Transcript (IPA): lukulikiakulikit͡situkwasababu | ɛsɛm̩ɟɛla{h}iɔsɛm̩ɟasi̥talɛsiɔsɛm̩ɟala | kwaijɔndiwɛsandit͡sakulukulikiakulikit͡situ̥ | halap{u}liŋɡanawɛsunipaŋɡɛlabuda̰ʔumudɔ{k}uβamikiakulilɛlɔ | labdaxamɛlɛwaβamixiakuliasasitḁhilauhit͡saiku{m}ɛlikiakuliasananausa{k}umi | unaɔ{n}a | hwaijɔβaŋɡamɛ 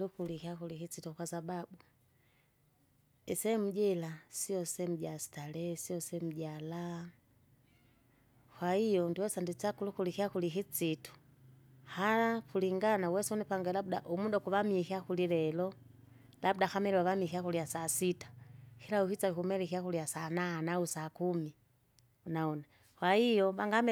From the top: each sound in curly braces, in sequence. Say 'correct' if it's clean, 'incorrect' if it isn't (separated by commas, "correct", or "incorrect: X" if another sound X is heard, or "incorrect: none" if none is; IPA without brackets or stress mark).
incorrect: s, correct, correct, correct, correct, correct